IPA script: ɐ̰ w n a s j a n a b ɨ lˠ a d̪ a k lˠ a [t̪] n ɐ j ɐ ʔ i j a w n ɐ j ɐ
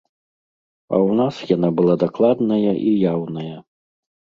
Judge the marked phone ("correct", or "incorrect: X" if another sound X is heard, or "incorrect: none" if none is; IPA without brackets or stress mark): incorrect: d̪